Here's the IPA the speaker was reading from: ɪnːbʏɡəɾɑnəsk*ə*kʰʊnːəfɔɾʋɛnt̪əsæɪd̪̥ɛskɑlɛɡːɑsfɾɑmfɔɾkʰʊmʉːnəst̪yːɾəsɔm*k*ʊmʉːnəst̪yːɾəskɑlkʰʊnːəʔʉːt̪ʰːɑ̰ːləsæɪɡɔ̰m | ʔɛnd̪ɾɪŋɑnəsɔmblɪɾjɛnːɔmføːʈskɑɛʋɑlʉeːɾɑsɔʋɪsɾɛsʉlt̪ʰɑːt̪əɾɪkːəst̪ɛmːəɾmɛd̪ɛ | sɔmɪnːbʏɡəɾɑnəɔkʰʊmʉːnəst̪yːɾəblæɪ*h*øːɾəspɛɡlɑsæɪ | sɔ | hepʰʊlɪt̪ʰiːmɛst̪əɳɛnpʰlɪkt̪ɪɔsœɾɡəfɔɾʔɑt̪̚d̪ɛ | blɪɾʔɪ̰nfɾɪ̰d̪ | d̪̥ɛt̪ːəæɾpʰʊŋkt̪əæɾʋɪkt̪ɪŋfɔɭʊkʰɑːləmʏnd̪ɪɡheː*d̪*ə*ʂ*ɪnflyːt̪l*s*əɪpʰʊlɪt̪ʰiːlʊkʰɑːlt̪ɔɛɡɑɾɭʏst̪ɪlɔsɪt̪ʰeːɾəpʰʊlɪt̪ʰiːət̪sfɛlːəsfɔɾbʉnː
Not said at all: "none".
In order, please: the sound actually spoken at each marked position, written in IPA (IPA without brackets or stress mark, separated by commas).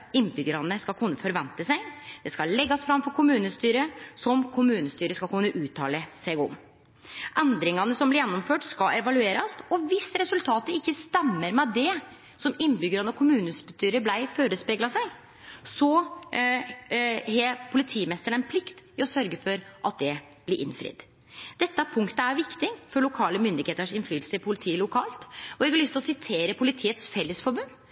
ɑ, kʰ, f, t̪, ʂ, s